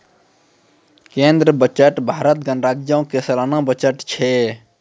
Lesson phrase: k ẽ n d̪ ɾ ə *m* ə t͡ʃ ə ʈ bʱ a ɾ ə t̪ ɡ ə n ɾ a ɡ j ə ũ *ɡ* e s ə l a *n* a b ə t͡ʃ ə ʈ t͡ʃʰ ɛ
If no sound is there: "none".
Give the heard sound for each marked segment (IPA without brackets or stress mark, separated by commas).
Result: b, k, n